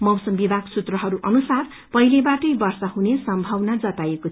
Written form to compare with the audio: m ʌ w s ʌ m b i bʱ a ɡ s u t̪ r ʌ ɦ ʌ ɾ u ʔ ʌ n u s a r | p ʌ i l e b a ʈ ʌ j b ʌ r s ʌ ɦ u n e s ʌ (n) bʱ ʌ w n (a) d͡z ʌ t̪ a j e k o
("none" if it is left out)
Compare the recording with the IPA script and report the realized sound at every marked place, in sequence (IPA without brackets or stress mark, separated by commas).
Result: m, a